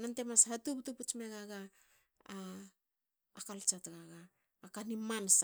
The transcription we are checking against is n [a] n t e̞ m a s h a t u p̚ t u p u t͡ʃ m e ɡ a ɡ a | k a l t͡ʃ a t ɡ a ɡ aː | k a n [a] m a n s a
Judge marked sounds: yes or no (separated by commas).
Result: yes, no